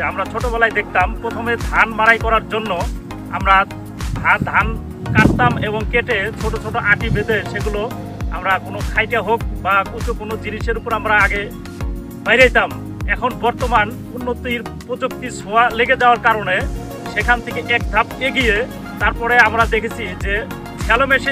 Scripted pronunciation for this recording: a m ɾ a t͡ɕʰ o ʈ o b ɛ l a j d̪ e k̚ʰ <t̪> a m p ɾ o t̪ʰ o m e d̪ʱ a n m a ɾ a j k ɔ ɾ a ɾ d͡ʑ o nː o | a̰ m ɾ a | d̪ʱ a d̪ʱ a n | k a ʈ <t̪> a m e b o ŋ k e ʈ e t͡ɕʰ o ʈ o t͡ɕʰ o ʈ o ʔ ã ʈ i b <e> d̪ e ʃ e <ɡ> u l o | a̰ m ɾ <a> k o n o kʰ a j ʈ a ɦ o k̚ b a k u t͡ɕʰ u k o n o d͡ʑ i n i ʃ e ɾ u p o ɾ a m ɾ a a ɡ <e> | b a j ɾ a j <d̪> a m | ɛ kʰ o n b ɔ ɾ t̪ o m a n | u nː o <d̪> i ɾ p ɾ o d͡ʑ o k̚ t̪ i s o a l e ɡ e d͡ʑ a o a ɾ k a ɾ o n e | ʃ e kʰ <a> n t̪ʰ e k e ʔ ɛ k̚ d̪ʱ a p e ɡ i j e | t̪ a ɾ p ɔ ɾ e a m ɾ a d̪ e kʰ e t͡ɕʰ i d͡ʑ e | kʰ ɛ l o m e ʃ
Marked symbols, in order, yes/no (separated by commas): yes, yes, yes, yes, yes, yes, no, no, yes